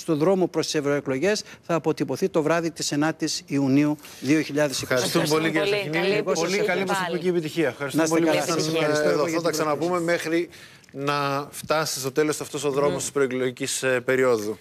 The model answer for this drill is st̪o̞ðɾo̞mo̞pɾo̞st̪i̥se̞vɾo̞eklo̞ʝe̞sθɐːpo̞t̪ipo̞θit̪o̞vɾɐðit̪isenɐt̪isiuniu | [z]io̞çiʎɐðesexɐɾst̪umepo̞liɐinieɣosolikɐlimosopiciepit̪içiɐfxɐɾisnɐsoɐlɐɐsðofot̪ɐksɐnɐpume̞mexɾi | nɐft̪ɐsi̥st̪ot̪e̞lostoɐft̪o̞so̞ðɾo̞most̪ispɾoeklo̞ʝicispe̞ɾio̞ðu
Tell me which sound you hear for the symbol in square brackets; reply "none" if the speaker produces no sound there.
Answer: ð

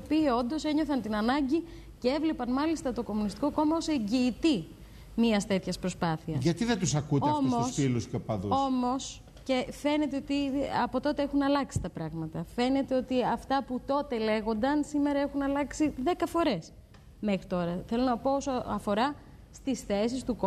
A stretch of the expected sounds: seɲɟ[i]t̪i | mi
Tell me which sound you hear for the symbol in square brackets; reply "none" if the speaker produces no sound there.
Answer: iː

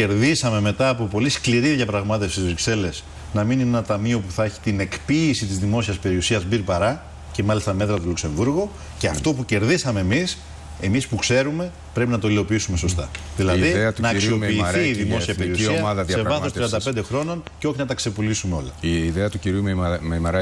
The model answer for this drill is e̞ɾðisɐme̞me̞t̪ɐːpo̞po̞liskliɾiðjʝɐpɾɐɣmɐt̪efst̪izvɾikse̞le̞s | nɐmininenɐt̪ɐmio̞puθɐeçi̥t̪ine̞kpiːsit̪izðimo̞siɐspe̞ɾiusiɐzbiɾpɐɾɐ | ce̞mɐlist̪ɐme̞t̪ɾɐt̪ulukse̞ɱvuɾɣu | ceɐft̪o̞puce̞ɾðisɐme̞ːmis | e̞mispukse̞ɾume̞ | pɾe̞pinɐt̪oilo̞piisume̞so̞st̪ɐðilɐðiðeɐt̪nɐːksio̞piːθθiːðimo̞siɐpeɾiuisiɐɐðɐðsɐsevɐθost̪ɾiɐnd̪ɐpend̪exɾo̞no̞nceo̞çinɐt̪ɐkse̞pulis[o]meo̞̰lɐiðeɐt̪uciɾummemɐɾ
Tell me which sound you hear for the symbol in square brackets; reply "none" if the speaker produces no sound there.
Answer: u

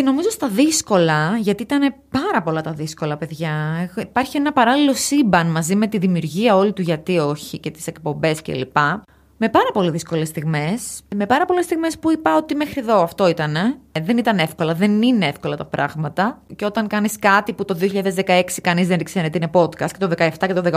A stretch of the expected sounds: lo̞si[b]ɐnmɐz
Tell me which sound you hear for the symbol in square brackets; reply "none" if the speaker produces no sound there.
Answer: b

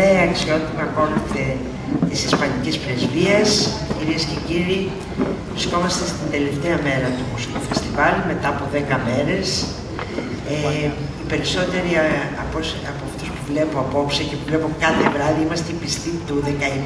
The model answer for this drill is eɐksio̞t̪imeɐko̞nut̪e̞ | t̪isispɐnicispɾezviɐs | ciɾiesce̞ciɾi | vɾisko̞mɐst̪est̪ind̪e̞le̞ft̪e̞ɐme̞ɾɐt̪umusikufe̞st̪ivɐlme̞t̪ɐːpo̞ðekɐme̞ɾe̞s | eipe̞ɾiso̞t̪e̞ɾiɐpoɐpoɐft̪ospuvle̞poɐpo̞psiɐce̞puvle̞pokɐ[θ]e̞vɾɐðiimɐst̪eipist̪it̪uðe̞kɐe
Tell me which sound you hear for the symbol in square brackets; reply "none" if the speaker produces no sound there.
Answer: θ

